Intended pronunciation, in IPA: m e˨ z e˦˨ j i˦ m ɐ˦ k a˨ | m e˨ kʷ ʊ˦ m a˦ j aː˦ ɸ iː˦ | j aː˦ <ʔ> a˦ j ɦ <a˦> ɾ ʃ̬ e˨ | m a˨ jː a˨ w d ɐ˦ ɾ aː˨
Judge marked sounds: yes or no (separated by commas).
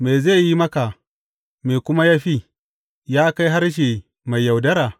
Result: no, yes